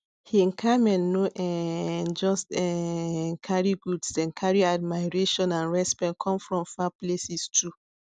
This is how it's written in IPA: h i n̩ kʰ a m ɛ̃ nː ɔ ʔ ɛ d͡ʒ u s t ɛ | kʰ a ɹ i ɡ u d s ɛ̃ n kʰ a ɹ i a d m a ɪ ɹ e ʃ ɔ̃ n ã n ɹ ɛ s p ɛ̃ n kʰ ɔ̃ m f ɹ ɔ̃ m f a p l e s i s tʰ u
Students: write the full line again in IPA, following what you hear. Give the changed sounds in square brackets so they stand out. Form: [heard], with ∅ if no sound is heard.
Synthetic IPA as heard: h i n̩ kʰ a m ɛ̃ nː [o] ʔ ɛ d͡ʒ [ɔ] s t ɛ | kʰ a ɹ i ɡ u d s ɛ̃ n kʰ a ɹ i a d m a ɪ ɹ e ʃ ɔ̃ n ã n ɹ ɛ s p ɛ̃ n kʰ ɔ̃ m f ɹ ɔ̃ m f a p l e s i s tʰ u